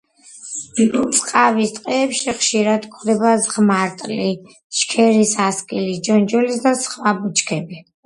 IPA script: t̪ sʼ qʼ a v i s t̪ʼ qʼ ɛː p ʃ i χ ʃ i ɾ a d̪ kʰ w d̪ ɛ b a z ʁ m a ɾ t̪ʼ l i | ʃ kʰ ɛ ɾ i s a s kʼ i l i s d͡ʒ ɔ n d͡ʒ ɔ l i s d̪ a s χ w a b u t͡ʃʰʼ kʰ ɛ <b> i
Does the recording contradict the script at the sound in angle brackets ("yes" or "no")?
no